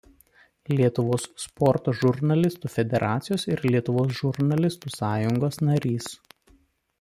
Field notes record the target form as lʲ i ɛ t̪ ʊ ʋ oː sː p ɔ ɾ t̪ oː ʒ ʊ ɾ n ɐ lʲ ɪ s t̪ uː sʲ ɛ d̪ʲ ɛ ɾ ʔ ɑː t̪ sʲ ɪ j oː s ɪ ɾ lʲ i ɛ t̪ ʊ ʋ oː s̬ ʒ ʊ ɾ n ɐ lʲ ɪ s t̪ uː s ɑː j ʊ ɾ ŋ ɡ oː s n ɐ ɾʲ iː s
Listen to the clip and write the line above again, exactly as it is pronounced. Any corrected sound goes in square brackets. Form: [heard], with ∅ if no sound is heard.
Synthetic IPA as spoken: lʲ i ɛ t̪ ʊ ʋ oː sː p ɔ ɾ t̪ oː ʒ ʊ ɾ n ɐ lʲ ɪ s t̪ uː [fʲ] ɛ d̪ʲ ɛ ɾ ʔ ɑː t̪ sʲ ɪ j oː s ɪ ɾ lʲ i ɛ t̪ ʊ ʋ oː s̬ ʒ ʊ ɾ n ɐ lʲ ɪ s t̪ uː s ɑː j ʊ [∅] ŋ ɡ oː s n ɐ ɾʲ iː s